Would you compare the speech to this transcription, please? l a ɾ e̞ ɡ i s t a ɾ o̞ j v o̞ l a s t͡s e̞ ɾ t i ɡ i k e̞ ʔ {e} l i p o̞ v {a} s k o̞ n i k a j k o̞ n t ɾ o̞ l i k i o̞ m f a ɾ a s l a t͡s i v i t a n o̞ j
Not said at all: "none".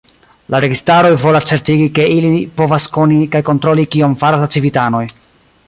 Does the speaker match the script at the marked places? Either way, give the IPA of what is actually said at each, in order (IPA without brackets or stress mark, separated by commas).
i, a